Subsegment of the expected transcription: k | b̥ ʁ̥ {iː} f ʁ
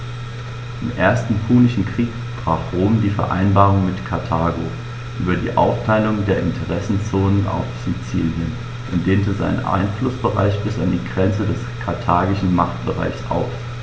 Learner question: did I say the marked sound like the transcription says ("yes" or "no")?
no